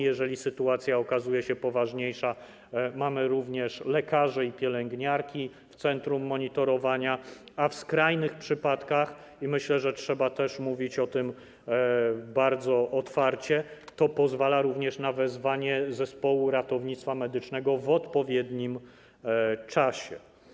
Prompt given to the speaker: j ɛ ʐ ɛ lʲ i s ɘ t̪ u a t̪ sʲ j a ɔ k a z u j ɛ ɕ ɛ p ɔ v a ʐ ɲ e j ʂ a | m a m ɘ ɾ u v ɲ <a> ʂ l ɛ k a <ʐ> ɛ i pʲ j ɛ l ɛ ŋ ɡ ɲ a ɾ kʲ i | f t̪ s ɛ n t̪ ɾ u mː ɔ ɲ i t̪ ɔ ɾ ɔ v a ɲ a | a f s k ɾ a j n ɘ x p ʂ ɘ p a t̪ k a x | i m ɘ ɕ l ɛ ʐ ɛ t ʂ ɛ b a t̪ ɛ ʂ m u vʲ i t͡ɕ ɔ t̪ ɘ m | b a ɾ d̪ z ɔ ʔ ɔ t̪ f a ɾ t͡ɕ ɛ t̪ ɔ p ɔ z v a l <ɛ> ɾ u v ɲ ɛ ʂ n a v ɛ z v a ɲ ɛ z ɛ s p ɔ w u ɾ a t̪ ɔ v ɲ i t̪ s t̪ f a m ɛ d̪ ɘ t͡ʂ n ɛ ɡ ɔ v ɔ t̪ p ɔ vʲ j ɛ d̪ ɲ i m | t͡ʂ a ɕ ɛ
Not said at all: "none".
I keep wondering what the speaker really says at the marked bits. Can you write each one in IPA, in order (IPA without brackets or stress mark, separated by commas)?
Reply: ɛ, ʐ, a